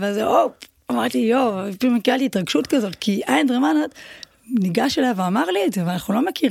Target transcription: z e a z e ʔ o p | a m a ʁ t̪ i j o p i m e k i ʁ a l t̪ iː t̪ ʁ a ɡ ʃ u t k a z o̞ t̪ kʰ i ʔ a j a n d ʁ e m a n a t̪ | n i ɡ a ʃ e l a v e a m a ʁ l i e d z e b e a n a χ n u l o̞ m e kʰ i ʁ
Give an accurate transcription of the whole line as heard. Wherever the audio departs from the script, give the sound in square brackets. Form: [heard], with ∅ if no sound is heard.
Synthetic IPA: [v] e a z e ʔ o p | a m a ʁ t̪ i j o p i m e k i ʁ a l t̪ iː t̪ ʁ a ɡ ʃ u t k a z o̞ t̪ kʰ i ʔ a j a n d ʁ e m a n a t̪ | n i ɡ a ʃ e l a v e a m a ʁ l i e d z e [v] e a n a χ n u l o̞ m e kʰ i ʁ